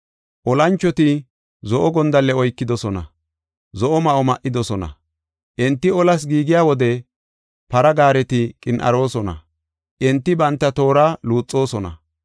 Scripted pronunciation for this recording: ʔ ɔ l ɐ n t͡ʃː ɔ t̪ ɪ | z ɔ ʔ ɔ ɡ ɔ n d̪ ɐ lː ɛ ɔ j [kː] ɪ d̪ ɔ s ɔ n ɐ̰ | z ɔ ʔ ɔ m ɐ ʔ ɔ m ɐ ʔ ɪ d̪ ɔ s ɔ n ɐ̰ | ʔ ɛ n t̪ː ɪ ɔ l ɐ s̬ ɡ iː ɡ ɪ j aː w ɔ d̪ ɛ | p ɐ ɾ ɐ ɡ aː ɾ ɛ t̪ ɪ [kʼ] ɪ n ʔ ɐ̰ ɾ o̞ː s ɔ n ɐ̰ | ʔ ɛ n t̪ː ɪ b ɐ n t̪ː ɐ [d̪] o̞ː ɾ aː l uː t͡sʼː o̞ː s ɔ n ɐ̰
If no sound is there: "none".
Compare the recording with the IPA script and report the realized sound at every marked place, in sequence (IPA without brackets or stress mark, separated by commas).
kː, kʼ, t̪